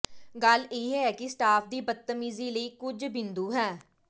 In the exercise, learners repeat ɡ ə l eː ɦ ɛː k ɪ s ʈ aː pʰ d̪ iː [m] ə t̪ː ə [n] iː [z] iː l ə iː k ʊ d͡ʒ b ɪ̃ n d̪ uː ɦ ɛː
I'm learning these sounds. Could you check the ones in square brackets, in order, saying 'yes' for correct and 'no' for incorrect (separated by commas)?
no, no, yes